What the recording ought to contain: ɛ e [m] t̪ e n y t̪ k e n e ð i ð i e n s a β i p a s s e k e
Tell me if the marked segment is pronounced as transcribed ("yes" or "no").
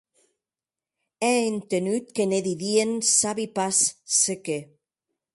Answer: no